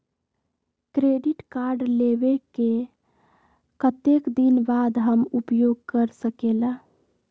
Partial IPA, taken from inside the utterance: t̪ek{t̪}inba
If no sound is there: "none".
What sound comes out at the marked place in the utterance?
d̪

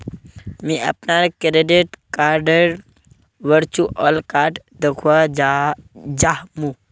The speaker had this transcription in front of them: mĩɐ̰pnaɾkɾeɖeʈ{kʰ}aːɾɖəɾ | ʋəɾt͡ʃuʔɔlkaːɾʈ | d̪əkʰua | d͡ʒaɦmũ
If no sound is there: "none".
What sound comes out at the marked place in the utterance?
k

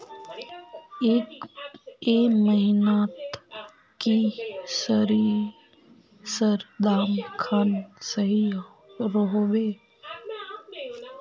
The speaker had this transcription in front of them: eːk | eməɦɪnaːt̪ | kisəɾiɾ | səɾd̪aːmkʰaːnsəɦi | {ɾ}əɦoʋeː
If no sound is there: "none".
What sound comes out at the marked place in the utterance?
ɾ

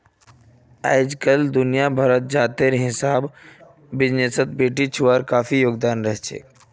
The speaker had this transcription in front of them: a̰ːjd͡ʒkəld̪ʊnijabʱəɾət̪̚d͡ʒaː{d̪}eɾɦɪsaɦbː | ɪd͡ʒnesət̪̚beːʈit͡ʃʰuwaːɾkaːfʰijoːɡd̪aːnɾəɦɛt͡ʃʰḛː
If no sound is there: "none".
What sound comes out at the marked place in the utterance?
t̪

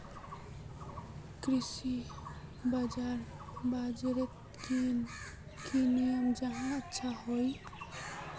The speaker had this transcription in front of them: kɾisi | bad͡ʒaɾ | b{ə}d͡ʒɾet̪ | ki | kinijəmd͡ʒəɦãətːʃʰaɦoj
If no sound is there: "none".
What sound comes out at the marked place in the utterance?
a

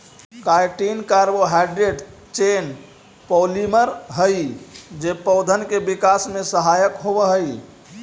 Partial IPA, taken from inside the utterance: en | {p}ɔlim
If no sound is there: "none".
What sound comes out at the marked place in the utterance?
p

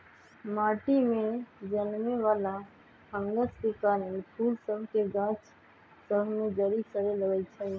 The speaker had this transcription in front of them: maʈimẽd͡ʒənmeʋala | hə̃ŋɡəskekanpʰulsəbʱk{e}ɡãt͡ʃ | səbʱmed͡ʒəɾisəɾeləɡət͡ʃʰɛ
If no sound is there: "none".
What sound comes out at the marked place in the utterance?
e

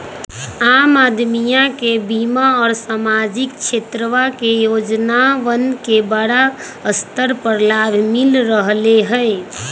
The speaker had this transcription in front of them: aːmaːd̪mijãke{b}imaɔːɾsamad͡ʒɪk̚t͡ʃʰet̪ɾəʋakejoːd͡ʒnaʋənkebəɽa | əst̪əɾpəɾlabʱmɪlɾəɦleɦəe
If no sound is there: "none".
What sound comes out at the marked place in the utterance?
b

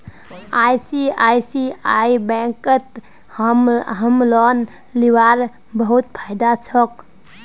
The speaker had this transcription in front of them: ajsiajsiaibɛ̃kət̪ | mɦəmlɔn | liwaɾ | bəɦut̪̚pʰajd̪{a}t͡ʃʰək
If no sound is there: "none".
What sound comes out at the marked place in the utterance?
a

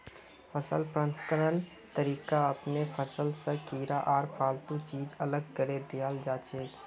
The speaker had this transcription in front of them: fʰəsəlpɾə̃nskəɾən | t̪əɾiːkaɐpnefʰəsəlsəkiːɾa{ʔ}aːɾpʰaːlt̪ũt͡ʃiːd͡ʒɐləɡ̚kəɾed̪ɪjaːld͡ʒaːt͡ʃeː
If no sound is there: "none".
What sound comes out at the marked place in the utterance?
ʔ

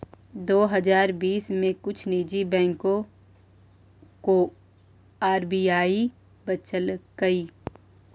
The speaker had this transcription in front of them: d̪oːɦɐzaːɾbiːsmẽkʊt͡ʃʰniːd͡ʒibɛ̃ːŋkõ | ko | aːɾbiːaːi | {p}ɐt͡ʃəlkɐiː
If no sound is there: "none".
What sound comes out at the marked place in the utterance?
b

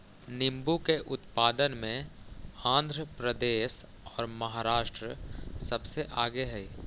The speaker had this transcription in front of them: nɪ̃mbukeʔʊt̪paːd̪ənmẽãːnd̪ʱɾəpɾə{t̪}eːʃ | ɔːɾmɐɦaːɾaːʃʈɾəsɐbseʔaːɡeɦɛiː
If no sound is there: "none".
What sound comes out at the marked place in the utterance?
d̪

